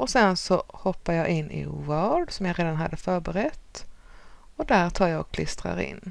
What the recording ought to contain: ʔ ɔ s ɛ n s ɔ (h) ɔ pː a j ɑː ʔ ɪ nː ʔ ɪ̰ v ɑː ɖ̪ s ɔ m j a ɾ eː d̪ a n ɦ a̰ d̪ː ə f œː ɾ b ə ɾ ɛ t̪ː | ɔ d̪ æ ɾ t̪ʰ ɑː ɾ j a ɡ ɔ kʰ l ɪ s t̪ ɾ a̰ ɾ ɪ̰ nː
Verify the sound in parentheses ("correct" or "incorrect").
correct